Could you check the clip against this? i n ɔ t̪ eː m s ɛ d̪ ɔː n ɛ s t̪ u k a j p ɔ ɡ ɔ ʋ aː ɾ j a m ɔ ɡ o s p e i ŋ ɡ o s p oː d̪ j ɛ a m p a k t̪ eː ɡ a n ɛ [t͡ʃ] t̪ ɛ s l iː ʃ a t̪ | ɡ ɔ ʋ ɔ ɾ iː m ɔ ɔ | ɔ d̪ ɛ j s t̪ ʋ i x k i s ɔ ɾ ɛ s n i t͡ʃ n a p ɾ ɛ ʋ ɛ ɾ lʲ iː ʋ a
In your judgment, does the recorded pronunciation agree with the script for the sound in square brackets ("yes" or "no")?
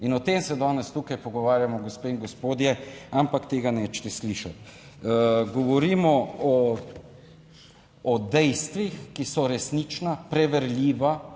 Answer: yes